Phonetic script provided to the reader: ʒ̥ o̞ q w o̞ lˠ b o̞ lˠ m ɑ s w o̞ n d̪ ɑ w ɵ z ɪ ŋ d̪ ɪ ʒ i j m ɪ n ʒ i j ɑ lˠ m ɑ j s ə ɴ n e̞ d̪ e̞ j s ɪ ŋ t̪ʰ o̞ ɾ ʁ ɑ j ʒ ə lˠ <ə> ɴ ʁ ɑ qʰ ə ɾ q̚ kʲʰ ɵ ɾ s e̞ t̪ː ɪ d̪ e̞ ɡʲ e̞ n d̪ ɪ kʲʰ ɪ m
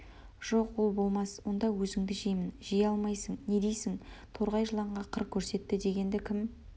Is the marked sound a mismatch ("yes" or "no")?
yes